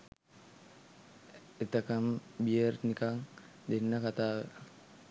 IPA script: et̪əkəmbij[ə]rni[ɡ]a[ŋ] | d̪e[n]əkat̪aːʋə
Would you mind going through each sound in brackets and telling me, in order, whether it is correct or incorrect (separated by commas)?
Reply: correct, incorrect, correct, incorrect